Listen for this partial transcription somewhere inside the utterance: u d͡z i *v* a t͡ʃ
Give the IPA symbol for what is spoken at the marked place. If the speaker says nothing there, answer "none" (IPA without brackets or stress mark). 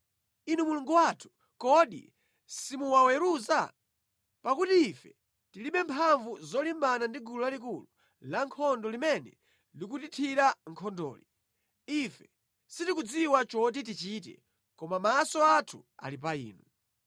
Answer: w